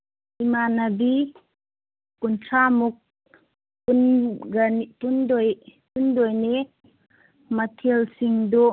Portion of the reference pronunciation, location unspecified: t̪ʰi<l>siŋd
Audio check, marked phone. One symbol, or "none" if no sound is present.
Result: l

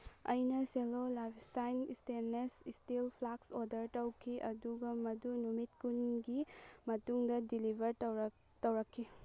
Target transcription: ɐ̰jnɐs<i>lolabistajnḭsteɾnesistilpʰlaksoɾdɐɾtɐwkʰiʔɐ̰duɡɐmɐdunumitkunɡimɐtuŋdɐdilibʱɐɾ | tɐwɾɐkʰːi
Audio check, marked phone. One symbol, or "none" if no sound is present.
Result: e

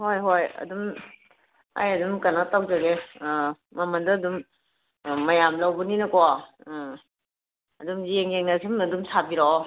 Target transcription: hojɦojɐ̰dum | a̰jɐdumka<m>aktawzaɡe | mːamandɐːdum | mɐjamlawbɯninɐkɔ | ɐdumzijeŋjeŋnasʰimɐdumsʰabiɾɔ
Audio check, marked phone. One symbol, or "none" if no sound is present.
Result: n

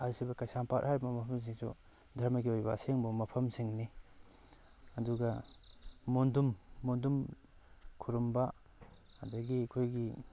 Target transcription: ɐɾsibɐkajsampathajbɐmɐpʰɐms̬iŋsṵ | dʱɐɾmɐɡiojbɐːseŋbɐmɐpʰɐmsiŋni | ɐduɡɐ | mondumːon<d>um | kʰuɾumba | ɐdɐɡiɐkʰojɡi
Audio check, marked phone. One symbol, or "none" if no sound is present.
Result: d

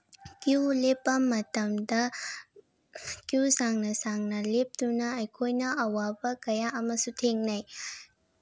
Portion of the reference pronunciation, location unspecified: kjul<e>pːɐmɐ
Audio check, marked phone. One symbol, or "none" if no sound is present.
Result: e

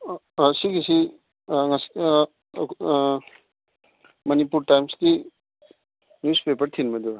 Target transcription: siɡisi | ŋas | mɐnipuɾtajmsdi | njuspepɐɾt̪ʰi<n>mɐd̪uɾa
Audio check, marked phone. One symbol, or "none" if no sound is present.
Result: n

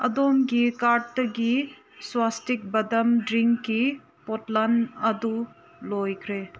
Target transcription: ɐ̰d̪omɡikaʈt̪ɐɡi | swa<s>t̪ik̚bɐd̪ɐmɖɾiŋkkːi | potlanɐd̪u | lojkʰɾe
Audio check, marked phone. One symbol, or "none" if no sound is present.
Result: s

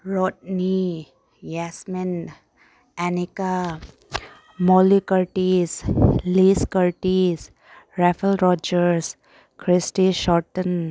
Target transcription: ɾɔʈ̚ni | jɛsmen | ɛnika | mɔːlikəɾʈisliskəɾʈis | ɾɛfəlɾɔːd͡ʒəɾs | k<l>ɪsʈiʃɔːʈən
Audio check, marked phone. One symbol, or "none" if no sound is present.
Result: ɾ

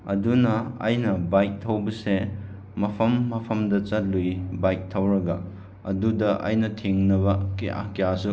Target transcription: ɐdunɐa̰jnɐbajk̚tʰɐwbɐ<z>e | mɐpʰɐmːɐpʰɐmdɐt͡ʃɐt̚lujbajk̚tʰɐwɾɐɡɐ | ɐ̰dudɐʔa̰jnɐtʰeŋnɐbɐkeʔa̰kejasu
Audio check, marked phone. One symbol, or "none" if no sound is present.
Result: s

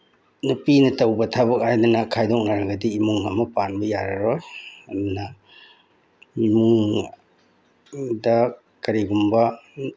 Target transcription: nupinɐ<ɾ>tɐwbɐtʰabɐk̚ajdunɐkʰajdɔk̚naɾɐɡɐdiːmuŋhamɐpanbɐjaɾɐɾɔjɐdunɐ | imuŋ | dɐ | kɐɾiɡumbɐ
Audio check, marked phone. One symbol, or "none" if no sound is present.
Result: none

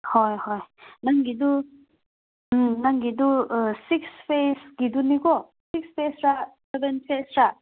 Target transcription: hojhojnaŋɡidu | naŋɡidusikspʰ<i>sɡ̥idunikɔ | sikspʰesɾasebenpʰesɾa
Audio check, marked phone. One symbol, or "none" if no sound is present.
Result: e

